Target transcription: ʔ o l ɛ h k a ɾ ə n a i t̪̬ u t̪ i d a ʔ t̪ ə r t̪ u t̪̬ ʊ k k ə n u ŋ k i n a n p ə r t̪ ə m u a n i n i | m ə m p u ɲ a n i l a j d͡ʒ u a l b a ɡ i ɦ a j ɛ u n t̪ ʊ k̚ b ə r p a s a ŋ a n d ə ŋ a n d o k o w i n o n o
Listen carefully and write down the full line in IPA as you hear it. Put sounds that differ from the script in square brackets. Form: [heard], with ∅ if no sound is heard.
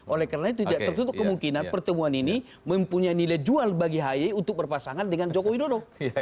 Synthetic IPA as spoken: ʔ o l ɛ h k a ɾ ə n a i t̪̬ u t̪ i d a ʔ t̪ ə r t̪ u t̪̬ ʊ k k ə [m] u ŋ k i n a n p ə r t̪ ə m u a n i n i | m ə m p u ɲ a n i l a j d͡ʒ u a l b a ɡ i ɦ a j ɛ u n t̪ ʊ k̚ b ə r p a s a ŋ a n d ə ŋ a n [d͡ʒ] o k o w i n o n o